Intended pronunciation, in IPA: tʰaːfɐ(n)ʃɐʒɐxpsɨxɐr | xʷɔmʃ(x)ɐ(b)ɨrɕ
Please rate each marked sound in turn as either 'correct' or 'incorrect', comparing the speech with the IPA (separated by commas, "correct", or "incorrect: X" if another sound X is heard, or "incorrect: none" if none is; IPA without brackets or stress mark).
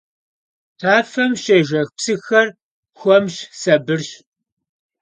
incorrect: m, incorrect: s, correct